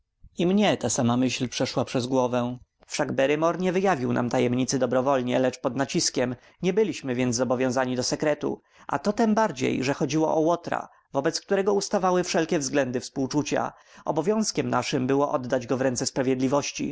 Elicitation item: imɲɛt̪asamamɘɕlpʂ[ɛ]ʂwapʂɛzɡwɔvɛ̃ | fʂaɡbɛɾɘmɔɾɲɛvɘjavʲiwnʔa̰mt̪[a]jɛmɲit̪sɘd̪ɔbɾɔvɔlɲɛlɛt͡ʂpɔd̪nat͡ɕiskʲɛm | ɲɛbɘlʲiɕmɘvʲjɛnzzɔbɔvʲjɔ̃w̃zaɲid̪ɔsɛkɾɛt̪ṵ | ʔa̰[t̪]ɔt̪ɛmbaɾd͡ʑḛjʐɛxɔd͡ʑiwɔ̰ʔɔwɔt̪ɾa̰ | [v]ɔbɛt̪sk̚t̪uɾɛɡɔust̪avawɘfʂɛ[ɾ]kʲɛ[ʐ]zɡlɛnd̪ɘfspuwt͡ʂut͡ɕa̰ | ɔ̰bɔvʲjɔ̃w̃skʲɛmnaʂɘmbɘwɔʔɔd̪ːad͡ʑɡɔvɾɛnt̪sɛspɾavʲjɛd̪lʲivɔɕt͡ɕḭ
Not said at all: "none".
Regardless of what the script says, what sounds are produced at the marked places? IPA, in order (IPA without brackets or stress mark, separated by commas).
ɛ, a, t̪, v, l, v